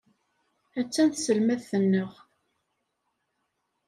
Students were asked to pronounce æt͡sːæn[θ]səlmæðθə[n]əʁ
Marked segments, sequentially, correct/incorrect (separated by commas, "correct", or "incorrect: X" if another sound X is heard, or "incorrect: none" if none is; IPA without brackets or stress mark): correct, incorrect: nː